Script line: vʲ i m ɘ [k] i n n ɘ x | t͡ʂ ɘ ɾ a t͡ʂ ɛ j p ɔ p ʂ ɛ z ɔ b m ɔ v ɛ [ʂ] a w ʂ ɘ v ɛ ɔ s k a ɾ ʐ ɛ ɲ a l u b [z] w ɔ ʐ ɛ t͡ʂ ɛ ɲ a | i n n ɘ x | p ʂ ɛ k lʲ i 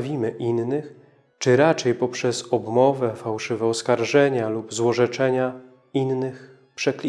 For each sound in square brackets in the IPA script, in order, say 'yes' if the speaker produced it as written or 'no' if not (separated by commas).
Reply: no, no, yes